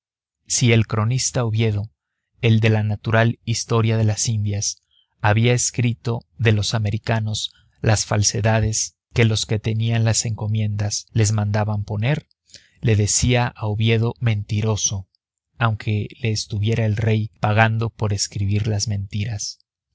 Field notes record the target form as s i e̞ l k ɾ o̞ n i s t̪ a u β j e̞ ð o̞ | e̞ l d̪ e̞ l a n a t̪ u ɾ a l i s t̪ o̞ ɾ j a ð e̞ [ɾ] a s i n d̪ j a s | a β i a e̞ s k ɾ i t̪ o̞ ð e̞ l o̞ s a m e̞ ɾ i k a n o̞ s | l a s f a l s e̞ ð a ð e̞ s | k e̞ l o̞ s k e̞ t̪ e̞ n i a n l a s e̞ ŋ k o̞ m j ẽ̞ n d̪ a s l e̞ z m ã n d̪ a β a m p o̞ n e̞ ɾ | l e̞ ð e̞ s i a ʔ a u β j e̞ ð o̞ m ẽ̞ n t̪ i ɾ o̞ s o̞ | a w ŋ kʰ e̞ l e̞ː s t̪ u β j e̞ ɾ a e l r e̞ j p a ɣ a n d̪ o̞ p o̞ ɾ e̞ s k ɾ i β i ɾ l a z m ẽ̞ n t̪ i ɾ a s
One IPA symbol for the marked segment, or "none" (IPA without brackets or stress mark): l